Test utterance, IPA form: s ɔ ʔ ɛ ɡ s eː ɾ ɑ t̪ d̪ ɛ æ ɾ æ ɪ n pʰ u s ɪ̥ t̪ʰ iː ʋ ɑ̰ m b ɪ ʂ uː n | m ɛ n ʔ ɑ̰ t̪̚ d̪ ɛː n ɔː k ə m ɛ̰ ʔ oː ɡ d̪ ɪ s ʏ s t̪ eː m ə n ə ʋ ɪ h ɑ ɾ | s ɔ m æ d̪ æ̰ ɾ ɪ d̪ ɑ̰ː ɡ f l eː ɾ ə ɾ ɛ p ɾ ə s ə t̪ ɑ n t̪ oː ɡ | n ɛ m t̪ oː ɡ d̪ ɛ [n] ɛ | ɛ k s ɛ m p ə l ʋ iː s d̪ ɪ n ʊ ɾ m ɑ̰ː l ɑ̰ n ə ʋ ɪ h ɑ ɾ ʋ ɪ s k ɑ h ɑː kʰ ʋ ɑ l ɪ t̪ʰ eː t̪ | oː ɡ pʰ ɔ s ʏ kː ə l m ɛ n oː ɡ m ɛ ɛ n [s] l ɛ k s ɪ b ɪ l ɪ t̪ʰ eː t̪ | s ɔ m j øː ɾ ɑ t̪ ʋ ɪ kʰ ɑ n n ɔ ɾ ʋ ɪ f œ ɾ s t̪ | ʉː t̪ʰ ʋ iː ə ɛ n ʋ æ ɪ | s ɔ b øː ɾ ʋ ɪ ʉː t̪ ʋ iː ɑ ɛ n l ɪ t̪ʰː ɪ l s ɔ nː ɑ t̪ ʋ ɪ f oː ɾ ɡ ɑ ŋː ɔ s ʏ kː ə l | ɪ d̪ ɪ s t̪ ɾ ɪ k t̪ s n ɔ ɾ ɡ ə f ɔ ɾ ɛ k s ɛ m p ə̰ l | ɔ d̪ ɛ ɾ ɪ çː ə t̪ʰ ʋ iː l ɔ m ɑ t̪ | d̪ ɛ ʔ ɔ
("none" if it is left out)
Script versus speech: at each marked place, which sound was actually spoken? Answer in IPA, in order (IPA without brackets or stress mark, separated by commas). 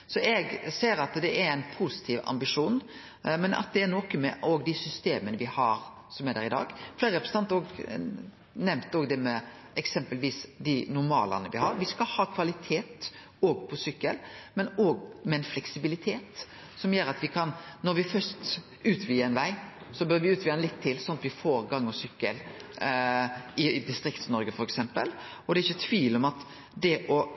m, f